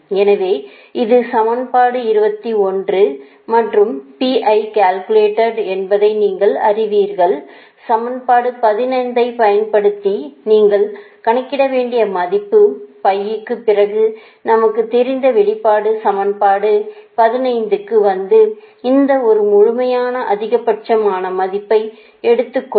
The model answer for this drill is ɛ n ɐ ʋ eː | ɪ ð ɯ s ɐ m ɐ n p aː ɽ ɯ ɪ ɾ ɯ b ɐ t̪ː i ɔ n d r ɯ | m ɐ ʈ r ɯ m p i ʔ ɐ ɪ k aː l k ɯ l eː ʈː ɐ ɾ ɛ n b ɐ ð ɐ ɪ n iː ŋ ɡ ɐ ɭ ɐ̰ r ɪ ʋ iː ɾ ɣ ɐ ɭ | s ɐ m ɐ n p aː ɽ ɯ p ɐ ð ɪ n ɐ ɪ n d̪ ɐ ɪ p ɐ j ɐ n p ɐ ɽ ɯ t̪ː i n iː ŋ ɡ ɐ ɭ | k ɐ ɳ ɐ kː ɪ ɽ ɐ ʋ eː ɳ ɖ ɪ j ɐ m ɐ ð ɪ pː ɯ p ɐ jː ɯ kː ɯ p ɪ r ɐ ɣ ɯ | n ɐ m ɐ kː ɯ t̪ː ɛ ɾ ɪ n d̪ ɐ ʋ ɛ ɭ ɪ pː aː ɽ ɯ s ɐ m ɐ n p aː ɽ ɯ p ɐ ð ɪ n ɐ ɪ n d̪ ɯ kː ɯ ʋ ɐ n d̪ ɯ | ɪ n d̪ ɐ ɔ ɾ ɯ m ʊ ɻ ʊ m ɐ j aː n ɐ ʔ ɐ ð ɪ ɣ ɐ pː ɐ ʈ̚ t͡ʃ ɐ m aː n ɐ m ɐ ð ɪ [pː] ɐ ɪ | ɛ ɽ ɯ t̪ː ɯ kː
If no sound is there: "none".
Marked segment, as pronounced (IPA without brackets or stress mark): pː